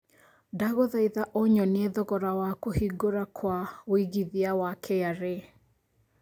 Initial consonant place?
alveolar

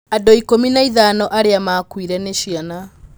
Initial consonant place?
alveolar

